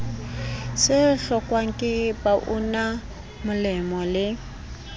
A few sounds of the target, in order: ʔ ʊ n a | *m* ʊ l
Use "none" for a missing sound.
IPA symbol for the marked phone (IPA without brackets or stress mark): m